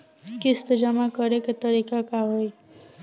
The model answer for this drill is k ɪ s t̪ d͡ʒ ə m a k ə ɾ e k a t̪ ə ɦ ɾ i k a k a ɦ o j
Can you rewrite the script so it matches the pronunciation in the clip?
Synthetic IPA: k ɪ s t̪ d͡ʒ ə m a k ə ɾ e k e t̪ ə ɾ i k a k a ɦ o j